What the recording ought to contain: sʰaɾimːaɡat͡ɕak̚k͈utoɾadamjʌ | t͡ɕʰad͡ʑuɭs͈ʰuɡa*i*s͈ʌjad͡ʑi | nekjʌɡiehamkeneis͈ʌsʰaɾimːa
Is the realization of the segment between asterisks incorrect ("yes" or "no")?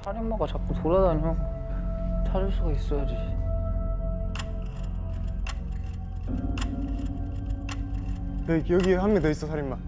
no